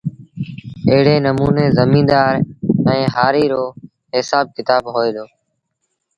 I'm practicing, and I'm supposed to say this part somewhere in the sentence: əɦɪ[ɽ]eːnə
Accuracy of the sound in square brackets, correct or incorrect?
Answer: correct